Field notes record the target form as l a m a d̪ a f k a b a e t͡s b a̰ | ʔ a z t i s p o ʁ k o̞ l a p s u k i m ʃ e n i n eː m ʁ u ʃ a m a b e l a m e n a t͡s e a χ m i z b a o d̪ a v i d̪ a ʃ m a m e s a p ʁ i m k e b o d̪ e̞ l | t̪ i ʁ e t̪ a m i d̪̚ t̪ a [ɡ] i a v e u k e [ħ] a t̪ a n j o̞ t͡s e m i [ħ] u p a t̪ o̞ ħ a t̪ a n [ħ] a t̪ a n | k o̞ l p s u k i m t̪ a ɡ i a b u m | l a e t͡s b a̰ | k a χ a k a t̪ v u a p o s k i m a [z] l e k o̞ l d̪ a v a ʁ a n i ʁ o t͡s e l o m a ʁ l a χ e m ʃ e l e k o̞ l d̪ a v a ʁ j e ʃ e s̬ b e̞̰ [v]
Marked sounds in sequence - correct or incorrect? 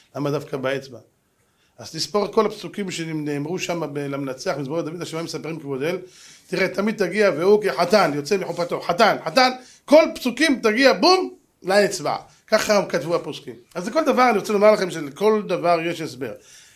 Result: correct, correct, correct, correct, correct, incorrect: ʁ

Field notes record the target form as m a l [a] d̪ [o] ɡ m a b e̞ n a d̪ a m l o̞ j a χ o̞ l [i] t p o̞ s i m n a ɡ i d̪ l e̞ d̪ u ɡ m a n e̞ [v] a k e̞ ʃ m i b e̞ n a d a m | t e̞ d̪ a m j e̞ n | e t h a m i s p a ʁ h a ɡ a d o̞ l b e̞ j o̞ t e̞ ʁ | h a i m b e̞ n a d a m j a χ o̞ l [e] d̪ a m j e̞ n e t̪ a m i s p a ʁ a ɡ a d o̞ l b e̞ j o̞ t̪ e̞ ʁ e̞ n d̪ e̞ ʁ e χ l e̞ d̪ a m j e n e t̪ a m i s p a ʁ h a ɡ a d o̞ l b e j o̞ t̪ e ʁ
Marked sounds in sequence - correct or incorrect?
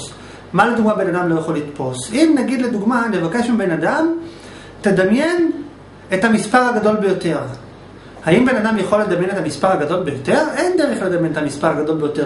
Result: incorrect: e, incorrect: u, correct, correct, correct

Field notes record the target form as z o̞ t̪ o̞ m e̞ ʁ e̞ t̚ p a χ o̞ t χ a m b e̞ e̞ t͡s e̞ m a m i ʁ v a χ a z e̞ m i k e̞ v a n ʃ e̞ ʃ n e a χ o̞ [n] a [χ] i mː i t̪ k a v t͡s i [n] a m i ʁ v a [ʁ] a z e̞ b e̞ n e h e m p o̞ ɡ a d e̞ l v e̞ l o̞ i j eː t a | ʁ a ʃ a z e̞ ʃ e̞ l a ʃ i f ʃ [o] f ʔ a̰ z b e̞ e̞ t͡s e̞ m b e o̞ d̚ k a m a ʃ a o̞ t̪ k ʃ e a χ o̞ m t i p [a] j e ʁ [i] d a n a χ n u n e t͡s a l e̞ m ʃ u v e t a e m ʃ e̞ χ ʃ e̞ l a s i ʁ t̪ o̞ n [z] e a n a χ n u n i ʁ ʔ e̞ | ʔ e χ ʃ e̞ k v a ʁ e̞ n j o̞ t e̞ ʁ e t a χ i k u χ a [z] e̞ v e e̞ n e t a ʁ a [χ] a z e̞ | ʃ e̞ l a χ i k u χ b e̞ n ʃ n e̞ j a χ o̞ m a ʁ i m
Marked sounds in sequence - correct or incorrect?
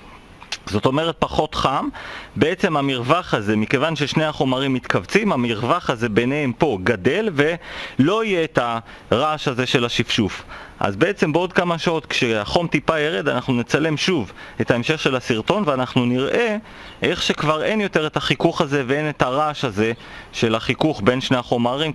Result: incorrect: m, incorrect: ʁ, incorrect: m, incorrect: χ, incorrect: u, correct, incorrect: e, incorrect: v, correct, incorrect: ʃ

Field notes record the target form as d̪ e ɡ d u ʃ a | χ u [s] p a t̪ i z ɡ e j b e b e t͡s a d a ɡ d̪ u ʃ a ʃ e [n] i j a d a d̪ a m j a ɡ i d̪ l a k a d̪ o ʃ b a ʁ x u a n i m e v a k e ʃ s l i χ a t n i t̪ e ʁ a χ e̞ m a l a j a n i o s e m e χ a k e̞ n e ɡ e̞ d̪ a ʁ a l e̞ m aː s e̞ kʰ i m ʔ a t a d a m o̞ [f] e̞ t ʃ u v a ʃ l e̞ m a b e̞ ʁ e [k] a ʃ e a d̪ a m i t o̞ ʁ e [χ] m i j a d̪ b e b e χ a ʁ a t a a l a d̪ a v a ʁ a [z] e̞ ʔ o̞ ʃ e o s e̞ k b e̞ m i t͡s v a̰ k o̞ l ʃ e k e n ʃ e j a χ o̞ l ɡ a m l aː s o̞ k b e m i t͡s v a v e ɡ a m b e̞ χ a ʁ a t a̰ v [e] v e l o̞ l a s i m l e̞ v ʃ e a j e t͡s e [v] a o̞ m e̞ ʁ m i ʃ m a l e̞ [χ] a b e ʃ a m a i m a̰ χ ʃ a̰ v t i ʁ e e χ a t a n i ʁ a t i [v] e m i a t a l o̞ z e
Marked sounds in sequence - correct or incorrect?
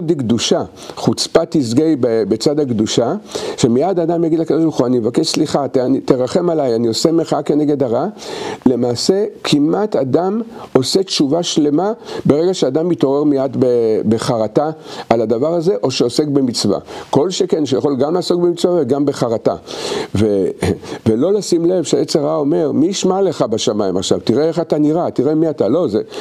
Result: incorrect: t͡s, incorrect: m, incorrect: s, incorrect: ɡ, incorrect: ʁ, correct, correct, incorrect: ʁ, correct, incorrect: ʁ

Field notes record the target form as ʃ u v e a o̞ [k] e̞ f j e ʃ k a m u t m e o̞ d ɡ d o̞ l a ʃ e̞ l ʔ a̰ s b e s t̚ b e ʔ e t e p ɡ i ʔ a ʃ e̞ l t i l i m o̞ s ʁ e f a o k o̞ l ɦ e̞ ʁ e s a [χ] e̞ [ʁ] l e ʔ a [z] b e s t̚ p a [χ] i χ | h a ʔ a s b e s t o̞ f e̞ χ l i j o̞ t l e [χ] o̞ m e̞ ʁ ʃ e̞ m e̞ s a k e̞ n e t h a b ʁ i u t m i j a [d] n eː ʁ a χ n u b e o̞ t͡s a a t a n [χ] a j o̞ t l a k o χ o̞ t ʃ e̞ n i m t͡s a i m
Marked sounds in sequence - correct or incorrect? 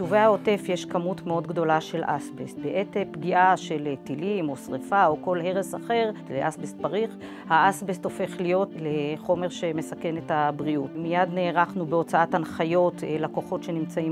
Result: incorrect: t, correct, correct, incorrect: s, incorrect: ʁ, correct, correct, correct

